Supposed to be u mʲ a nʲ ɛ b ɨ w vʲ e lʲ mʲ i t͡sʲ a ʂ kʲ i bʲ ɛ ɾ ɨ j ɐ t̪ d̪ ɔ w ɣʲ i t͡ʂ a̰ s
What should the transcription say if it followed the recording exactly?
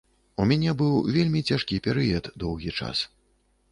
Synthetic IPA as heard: u mʲ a nʲ ɛ b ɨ w vʲ e lʲ mʲ i t͡sʲ a ʂ kʲ i pʲ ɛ ɾ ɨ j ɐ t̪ d̪ ɔ w ɣʲ i t͡ʂ a̰ s